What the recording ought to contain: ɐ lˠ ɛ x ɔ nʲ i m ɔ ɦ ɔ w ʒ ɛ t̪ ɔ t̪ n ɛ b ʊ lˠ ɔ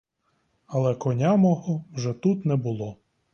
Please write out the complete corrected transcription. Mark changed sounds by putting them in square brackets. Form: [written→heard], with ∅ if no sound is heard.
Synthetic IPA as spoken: ɐ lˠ ɛ [x→k] ɔ nʲ [i→a] m ɔ ɦ ɔ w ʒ ɛ t̪ [ɔ→u] t̪ n ɛ b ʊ lˠ ɔ